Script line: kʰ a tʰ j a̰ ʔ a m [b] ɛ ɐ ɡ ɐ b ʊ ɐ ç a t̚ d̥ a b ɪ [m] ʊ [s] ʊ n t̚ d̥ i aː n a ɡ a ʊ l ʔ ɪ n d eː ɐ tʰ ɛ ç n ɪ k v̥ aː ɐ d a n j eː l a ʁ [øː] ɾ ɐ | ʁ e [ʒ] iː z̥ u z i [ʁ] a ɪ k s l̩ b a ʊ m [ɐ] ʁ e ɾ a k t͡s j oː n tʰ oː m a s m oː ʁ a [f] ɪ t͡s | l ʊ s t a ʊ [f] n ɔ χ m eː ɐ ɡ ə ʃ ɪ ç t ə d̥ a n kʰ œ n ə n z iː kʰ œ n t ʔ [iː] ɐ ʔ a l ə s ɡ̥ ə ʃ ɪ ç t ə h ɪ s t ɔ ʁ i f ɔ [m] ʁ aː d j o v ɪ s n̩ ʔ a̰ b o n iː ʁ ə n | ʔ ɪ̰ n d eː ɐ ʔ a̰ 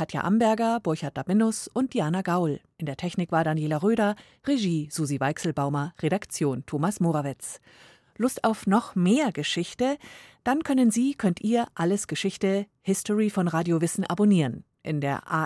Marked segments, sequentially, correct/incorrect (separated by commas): correct, incorrect, correct, correct, correct, incorrect, correct, incorrect, correct, correct, incorrect